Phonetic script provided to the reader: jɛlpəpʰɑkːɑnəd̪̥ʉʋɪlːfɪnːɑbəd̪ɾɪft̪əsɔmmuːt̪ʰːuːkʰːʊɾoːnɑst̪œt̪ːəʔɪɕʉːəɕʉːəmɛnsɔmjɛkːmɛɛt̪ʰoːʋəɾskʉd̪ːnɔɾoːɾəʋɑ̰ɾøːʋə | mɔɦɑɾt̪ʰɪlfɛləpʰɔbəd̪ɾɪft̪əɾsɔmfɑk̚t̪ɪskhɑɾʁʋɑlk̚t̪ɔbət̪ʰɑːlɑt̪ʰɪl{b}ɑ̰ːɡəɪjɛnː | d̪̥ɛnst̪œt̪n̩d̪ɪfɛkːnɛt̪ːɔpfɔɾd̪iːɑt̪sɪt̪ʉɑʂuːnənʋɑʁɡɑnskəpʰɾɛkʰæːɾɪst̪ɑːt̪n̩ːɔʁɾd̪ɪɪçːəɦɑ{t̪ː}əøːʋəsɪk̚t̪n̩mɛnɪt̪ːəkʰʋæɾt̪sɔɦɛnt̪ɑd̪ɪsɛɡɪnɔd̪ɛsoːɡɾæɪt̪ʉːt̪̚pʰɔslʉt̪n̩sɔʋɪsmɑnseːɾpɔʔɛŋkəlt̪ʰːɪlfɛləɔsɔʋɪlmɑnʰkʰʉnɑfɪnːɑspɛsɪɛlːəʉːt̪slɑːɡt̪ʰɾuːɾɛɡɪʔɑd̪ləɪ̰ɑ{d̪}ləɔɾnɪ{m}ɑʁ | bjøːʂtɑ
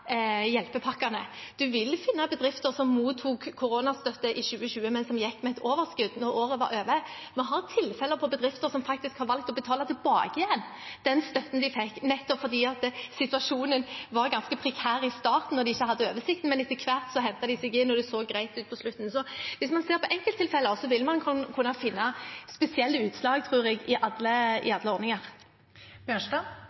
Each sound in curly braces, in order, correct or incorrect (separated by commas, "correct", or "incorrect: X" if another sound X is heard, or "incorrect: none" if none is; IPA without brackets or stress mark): correct, incorrect: d̪ː, correct, incorrect: ŋ